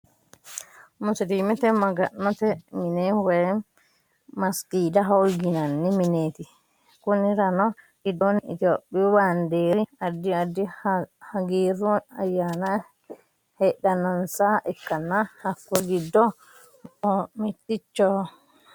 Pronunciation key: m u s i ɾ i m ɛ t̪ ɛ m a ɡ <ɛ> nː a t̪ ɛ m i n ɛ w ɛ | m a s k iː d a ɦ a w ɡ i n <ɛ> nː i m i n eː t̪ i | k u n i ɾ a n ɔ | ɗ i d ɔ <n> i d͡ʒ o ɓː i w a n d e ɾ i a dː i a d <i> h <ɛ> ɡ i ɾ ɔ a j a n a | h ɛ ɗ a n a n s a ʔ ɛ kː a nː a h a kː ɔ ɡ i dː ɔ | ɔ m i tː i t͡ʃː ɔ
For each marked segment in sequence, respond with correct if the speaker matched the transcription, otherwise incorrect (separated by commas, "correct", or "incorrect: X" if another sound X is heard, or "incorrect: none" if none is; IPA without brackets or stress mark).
incorrect: a, incorrect: a, correct, correct, incorrect: a